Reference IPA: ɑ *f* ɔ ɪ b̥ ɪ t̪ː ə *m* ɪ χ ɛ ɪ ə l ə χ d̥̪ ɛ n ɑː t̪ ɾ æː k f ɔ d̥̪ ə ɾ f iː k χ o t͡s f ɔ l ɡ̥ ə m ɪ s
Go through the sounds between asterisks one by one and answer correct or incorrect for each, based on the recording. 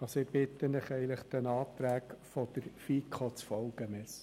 incorrect: s, incorrect: n

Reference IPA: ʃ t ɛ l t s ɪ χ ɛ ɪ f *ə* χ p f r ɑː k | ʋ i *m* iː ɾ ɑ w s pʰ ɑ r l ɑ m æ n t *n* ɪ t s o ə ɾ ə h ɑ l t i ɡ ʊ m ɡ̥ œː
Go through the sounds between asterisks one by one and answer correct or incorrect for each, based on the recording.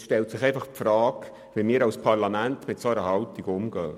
incorrect: ɑ, correct, incorrect: m

